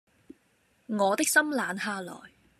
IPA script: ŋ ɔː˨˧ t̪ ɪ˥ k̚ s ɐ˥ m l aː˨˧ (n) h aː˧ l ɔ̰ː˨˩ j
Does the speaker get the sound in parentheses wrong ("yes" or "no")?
no